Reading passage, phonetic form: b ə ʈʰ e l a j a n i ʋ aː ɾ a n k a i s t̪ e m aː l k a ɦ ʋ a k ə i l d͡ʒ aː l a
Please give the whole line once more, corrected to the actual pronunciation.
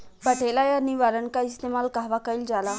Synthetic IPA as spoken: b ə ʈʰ e l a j a n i ʋ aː ɾ ə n k a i s t̪ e m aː l k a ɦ ʋ a k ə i l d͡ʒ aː l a